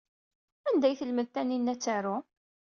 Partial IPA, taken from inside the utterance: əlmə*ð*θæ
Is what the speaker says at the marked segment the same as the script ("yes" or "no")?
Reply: yes